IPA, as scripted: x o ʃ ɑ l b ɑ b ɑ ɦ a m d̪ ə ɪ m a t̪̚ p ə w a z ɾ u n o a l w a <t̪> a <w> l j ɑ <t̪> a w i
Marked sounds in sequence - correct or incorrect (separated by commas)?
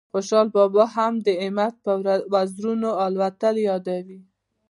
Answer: correct, incorrect, incorrect